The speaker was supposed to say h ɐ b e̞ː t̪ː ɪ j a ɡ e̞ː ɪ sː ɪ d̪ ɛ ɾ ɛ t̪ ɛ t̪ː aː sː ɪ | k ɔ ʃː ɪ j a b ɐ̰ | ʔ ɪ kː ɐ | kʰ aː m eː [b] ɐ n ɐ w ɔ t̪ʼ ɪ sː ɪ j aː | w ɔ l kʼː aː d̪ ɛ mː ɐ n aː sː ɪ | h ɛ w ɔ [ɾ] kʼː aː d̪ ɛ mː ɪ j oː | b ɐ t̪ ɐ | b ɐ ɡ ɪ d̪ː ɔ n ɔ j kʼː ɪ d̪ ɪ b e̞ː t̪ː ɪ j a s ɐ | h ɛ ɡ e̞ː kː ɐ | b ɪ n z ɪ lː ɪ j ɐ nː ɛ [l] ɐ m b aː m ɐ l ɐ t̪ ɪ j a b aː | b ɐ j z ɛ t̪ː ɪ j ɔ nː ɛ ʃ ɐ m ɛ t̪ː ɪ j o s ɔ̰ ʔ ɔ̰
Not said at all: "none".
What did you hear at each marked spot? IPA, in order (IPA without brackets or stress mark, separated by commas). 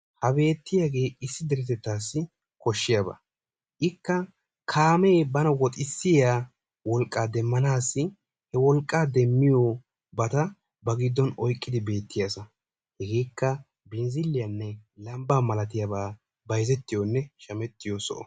b, l, l